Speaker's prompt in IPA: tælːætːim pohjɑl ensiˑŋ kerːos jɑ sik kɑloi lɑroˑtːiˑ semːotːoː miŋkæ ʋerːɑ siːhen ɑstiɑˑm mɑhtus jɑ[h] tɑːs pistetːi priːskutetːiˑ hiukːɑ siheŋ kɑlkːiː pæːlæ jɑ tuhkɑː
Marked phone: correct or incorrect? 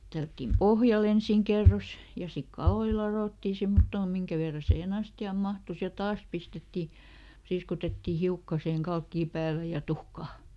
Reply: incorrect: none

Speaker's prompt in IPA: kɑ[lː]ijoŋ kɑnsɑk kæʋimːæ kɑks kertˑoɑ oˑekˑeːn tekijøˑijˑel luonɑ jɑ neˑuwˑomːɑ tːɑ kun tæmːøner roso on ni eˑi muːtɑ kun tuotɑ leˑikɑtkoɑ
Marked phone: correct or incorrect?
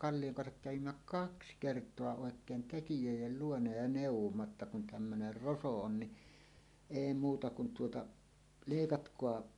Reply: correct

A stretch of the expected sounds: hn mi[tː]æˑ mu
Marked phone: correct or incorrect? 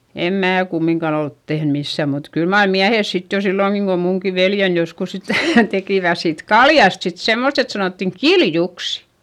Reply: incorrect: sː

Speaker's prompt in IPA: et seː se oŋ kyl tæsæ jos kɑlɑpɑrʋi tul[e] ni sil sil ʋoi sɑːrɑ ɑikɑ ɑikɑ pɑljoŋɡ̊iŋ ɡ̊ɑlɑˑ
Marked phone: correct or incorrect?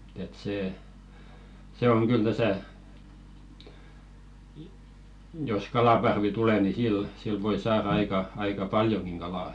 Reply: correct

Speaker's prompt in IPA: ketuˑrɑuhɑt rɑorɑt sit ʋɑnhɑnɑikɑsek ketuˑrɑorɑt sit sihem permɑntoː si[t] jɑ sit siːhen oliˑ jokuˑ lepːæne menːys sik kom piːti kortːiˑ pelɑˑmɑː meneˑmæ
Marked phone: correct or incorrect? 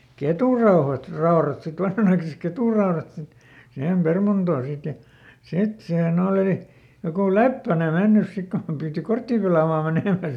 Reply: correct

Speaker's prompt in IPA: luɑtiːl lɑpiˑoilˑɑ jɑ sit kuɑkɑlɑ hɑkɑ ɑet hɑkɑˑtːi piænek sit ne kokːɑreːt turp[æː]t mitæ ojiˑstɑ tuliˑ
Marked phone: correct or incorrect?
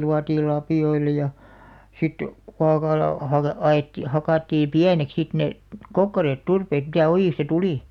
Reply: incorrect: eː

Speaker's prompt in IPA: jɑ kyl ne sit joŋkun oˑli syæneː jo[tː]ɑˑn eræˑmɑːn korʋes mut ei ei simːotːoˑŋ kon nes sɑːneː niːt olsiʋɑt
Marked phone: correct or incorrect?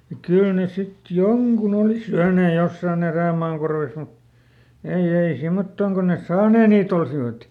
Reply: incorrect: sː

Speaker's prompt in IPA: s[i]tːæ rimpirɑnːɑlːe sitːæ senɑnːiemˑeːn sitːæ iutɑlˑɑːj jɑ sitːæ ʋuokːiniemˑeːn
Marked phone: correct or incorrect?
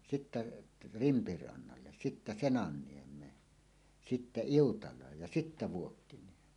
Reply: correct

